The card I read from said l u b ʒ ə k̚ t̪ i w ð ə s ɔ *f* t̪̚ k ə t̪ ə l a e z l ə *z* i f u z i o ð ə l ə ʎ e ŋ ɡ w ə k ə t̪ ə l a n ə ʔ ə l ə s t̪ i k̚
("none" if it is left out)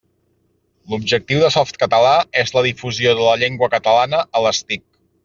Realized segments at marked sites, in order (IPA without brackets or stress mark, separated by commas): f, ð